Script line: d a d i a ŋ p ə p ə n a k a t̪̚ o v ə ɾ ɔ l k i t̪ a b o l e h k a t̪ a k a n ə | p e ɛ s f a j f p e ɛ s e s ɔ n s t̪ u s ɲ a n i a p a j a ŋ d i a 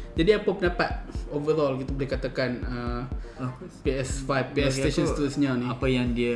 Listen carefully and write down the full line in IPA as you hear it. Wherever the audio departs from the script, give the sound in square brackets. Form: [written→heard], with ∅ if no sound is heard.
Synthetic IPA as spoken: [d→d͡ʒ] a d i a [ŋ→∅] p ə p ə n a [k→p] a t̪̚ o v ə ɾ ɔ l k i t̪ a b o l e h k a t̪ a k a n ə | p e ɛ s f a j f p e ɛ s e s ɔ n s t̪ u s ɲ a n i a p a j a ŋ d i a